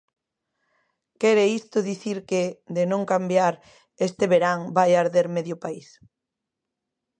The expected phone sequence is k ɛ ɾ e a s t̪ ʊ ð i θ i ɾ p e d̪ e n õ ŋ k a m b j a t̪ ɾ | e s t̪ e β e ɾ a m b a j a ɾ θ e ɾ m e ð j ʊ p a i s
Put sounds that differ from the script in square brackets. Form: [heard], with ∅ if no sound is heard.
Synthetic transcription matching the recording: k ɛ ɾ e [i] s t̪ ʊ ð i θ i ɾ [k] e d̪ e n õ ŋ k a m b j a [∅] ɾ | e s t̪ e β e ɾ a [ŋ] b a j a ɾ [ð] e ɾ m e ð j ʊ p a i s